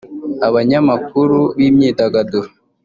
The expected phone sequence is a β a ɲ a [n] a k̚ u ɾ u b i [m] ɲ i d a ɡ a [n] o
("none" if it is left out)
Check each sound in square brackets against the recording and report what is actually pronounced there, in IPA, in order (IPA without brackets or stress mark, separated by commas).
m, m, d